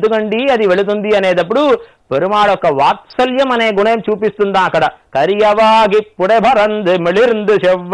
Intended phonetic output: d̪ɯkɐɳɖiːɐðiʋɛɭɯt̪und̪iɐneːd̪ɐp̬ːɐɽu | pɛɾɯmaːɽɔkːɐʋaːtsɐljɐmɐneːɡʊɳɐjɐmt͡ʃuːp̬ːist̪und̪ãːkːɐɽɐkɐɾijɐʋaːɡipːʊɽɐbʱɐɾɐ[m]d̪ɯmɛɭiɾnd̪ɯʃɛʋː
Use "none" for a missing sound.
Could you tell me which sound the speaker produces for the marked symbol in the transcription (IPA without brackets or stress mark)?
n